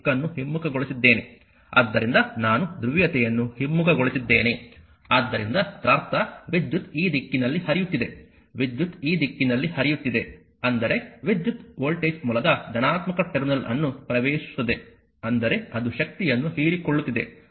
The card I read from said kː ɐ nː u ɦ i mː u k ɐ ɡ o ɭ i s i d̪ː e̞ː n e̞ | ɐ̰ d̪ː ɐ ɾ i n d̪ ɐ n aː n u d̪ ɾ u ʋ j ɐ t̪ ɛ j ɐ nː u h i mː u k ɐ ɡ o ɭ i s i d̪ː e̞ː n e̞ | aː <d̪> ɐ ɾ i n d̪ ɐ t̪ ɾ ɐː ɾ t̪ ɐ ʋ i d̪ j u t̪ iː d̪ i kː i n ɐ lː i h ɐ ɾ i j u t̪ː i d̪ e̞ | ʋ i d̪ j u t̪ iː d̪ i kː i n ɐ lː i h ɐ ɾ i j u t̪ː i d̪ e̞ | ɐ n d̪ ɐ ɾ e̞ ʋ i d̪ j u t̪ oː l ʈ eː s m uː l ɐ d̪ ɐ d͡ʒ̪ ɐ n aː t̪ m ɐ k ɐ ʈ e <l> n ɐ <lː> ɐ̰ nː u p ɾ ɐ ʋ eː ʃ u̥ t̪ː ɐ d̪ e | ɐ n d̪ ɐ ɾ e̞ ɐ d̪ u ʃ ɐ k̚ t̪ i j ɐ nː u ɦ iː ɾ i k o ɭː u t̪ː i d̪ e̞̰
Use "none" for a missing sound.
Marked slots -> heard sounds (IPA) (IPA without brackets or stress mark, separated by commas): d̪ː, ɾ, l